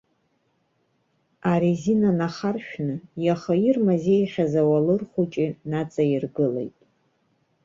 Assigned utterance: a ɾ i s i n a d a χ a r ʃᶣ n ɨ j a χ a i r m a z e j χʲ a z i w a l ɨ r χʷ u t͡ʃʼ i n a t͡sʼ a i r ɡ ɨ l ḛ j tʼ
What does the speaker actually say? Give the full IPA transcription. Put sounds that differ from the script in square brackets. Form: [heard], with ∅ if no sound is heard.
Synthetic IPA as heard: a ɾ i [z] i n a [n] a χ a r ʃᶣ n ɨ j a χ a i r m a z e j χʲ a z [a] w a l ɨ r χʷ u t͡ʃʼ i n a t͡sʼ a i r ɡ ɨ l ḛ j tʼ

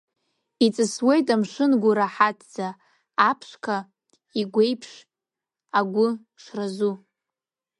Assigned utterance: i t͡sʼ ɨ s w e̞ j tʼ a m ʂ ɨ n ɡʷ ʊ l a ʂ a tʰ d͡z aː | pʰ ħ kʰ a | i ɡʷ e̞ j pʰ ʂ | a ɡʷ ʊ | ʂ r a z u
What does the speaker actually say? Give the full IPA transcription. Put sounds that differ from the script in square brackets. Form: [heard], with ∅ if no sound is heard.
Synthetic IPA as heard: i t͡sʼ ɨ s w e̞ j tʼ a m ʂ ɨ n ɡʷ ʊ [ɾ] a [ħ] a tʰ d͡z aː | pʰ [ʂ] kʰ a | i ɡʷ e̞ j pʰ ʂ | a ɡʷ ʊ | ʂ r a z u

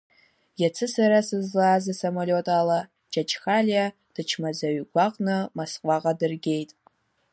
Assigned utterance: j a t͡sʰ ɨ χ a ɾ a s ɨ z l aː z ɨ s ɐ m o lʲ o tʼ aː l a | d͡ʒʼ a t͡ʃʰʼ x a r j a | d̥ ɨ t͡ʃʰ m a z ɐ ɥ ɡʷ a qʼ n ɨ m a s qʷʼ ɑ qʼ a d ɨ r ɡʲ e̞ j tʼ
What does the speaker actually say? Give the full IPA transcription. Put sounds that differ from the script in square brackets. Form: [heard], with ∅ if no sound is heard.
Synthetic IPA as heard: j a t͡sʰ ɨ [s] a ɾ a s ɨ z l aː z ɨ s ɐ m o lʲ o tʼ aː l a | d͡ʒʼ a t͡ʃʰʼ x a [l] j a | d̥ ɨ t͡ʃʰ m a z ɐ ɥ ɡʷ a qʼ n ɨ m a s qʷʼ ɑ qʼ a d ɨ r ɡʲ e̞ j tʼ

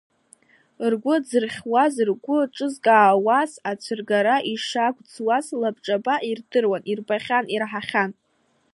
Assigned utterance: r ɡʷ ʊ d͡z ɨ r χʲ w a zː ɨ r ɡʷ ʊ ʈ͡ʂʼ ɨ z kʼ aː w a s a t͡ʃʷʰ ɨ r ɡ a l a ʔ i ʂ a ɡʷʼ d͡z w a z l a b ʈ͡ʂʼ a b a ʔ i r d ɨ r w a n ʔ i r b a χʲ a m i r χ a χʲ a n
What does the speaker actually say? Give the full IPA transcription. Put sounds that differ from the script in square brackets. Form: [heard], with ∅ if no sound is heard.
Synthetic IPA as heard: r ɡʷ ʊ d͡z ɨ r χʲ w a [z] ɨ r ɡʷ ʊ ʈ͡ʂʼ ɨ z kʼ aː w a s a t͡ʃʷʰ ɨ r ɡ a [ɾ] a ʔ i ʂ a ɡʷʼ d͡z w a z l a b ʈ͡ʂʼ a b a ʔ i r d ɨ r w a n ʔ i r b a χʲ a [n] i r [ħ] a χʲ a n

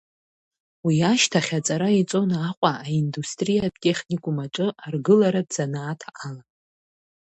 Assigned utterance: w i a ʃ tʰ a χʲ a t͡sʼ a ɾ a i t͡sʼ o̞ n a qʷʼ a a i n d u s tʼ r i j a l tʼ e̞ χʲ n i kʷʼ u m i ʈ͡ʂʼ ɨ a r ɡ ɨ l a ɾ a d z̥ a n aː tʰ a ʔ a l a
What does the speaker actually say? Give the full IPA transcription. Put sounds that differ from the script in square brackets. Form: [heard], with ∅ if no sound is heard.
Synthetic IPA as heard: w i a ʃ tʰ a χʲ a t͡sʼ a ɾ a i t͡sʼ o̞ n a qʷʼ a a i n d u s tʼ r i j a [∅] tʼ e̞ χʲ n i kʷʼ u m [a] ʈ͡ʂʼ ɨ a r ɡ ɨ l a ɾ a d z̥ a n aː tʰ a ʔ a l a

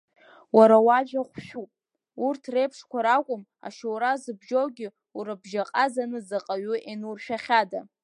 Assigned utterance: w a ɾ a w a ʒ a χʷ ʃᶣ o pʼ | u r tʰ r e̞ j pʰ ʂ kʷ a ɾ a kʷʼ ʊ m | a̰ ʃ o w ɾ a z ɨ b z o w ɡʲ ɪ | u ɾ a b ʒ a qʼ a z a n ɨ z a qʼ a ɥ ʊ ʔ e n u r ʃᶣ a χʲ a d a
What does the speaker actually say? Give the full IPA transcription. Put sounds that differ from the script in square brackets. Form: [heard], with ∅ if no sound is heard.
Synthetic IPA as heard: w a ɾ a w a ʒ a χʷ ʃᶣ [u] pʼ | u r tʰ r e̞ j pʰ ʂ kʷ a ɾ a kʷʼ ʊ m | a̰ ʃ o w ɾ a z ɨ b [ʒ] o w ɡʲ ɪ | u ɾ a b ʒ a qʼ a z a n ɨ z a qʼ a ɥ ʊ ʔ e n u r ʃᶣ a χʲ a d a

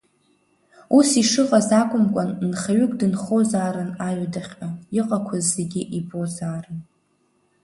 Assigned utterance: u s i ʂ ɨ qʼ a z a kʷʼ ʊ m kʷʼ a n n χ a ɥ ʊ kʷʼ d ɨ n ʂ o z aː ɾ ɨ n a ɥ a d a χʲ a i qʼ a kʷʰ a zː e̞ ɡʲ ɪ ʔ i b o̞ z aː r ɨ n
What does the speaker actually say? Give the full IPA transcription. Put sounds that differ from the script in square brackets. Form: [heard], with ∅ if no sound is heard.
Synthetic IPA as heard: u s i ʂ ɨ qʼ a z a kʷʼ ʊ m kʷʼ a n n χ a ɥ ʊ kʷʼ d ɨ n [χ] o z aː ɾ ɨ n a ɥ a d a χʲ a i qʼ a kʷʰ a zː e̞ ɡʲ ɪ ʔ i b o̞ z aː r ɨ n

